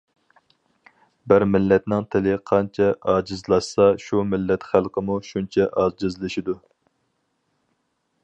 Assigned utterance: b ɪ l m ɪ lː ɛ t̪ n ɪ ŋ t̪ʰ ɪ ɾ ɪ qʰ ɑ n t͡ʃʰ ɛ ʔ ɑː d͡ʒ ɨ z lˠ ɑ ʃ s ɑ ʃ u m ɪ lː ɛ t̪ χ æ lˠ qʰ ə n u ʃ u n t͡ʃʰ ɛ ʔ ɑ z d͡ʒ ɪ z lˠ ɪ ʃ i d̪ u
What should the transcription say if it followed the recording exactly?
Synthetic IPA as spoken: b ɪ ɾ m ɪ lː ɛ t̪ n ɪ ŋ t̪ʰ ɪ l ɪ qʰ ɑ n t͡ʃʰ ɛ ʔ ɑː d͡ʒ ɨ z lˠ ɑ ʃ s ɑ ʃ u m ɪ lː ɛ t̪ χ æ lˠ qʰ ə m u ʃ u n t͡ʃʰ ɛ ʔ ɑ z d͡ʒ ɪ z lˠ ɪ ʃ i d̪ u

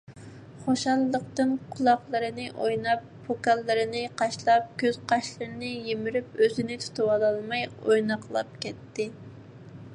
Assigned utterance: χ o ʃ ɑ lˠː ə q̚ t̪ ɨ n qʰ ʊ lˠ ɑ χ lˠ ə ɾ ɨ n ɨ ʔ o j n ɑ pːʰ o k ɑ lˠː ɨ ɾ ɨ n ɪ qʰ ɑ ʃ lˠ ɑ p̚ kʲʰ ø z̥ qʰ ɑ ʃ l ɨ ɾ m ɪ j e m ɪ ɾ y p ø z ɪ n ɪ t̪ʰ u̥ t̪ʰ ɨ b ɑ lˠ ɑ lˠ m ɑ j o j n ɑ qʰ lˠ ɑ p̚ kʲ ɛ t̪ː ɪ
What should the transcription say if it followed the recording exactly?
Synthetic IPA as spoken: χ o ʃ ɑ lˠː ə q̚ t̪ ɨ n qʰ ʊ lˠ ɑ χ lˠ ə ɾ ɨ n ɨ ʔ o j n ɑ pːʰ o k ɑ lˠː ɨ ɾ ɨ n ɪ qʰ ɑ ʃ lˠ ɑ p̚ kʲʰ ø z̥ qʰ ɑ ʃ l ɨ ɾ n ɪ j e m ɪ ɾ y p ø z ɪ n ɪ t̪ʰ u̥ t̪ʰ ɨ w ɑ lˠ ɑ lˠ m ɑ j o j n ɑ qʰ lˠ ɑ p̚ kʲ ɛ t̪ː ɪ

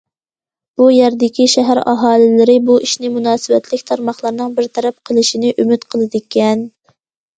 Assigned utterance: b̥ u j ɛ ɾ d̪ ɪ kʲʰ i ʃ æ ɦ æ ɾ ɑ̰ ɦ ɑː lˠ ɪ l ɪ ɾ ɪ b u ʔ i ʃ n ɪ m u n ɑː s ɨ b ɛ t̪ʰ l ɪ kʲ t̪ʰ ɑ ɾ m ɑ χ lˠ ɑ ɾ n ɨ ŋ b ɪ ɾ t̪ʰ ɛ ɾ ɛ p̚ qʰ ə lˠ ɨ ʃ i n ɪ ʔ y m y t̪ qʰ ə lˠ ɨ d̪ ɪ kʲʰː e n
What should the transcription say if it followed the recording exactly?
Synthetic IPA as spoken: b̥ u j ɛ ɾ d̪ ɪ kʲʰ i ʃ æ ɦ æ ɾ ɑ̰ ɦ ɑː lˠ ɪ l ɪ ɾ ɪ b u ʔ i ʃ n ɪ m u n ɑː s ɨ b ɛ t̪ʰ l ɪ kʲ t̪ʰ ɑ ɾ m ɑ χ lˠ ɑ ɾ n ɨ ŋ b ɪ ɾ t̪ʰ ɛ ɾ ɛ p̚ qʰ ə lˠ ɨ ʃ i n ɪ ʔ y m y t̪ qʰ ə lˠ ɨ d̪ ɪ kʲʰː ɛ n

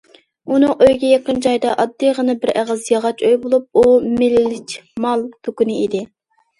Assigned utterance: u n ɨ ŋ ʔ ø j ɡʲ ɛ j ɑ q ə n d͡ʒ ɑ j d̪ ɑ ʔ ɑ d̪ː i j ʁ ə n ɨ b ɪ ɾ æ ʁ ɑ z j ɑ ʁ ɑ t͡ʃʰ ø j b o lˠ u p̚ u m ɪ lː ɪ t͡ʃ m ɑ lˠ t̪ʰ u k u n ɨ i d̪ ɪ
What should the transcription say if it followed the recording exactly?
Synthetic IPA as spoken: u n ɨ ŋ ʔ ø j ɡʲ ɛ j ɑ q ə n d͡ʒ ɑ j d̪ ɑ ʔ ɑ d̪ː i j ʁ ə n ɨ b ɪ ɾ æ ʁ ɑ z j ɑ ʁ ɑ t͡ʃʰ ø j b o lˠ u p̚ u m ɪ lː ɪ t͡ʃ m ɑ lˠ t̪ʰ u k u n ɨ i d̪ ɪ

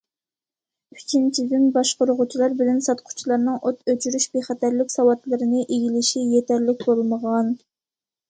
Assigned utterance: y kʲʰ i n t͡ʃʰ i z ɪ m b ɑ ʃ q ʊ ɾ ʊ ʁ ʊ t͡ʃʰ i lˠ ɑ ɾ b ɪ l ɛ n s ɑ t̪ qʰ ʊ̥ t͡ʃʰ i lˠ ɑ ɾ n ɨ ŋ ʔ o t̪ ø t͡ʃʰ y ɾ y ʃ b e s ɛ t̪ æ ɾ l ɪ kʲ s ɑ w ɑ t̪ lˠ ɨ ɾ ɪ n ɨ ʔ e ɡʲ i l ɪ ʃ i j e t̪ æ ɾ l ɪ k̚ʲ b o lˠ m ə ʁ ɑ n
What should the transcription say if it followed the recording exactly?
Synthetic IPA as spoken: y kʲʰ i n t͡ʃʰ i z ɪ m b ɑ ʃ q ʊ ɾ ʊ ʁ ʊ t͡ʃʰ i lˠ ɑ ɾ b ɪ l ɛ n s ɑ t̪ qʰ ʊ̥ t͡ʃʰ i lˠ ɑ ɾ n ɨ ŋ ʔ o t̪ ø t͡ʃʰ y ɾ y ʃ b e χ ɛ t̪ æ ɾ l ɪ kʲ s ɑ w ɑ t̪ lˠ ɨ ɾ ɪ n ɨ ʔ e ɡʲ i l ɪ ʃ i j e t̪ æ ɾ l ɪ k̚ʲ b o lˠ m ə ʁ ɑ n

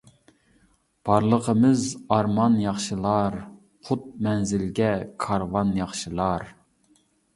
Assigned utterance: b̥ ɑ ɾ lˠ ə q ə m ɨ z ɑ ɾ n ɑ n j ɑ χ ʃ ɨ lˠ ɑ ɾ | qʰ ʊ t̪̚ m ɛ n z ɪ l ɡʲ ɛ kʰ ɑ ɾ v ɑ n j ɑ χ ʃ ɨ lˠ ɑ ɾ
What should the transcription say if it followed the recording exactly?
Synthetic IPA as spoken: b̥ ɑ ɾ lˠ ə q ə m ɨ z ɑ ɾ m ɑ n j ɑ χ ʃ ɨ lˠ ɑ ɾ | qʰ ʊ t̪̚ m ɛ n z ɪ l ɡʲ ɛ kʰ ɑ ɾ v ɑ n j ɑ χ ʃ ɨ lˠ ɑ ɾ

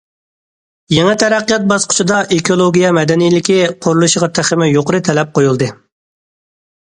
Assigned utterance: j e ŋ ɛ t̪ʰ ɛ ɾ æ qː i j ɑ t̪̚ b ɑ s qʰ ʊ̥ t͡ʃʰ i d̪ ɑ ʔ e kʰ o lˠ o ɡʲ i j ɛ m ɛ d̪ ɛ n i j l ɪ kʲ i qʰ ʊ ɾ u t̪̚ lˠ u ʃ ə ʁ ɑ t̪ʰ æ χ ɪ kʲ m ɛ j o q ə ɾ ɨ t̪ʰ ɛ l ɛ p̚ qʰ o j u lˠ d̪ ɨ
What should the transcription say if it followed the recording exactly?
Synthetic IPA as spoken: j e ŋ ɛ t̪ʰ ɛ ɾ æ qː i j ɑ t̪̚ b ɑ s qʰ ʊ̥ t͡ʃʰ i d̪ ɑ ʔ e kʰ o lˠ o ɡʲ i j ɛ m ɛ d̪ ɛ n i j l ɪ kʲ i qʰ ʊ ɾ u lˠ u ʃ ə ʁ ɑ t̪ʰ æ χ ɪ m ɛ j o q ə ɾ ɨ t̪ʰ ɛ l ɛ p̚ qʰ o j u lˠ d̪ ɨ

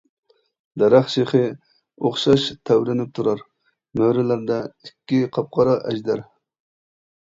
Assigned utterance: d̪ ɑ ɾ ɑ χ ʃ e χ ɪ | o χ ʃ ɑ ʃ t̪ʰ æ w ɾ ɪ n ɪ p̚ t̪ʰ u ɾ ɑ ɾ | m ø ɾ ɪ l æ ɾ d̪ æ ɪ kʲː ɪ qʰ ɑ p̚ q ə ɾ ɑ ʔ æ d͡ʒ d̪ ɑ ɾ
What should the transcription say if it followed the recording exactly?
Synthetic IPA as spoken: d̪ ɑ ɾ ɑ χ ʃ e χ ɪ | o χ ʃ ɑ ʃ t̪ʰ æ w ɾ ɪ n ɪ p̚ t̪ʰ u ɾ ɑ ɾ | m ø ɾ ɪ l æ ɾ d̪ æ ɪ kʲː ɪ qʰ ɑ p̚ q ɑ ɾ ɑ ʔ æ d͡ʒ d̪ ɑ ɾ

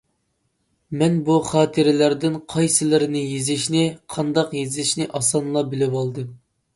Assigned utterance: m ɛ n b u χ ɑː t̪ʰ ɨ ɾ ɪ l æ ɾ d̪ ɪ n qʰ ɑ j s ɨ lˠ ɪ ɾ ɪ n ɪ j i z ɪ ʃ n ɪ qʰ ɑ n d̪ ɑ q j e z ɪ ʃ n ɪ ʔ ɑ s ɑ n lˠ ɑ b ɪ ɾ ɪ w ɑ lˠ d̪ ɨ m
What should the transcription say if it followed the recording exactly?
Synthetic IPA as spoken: m ɛ n b u χ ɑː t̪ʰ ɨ ɾ ɪ l æ ɾ d̪ ɪ n qʰ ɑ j s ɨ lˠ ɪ ɾ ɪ n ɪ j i z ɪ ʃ n ɪ qʰ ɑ n d̪ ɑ q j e z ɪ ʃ n ɪ ʔ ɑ s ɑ n lˠ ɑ b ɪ l ɪ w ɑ lˠ d̪ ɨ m

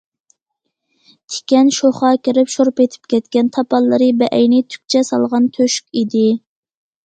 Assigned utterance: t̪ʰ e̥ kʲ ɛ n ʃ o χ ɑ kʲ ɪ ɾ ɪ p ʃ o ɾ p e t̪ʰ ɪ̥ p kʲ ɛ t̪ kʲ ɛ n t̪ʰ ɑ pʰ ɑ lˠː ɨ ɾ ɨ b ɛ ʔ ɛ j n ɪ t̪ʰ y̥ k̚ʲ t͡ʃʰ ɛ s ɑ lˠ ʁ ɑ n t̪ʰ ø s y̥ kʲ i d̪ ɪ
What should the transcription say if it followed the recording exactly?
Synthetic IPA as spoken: t̪ʰ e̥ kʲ ɛ n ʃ o χ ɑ kʲ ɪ ɾ ɪ p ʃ o ɾ p e t̪ʰ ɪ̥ p kʲ ɛ t̪ kʲ ɛ n t̪ʰ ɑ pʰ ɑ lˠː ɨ ɾ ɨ b ɛ ʔ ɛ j n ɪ t̪ʰ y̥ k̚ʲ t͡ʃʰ ɛ s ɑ lˠ ʁ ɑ n t̪ʰ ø ʃ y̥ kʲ i d̪ ɪ

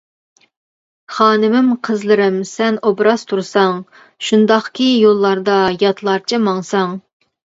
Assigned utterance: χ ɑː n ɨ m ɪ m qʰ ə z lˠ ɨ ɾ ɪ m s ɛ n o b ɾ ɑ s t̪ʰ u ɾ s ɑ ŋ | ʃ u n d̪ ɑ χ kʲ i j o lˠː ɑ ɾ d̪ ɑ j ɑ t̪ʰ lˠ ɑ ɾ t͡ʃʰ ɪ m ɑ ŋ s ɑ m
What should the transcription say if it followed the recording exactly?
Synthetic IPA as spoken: χ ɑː n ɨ m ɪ m qʰ ə z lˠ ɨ ɾ ɪ m s ɛ n o b ɾ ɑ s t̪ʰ u ɾ s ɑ ŋ | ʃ u n d̪ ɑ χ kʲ i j o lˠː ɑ ɾ d̪ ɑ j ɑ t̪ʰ lˠ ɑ ɾ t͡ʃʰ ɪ m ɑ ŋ s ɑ ŋ

